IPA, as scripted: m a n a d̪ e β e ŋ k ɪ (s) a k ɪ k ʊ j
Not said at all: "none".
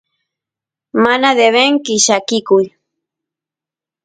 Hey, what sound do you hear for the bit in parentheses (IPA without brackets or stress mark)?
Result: ʃ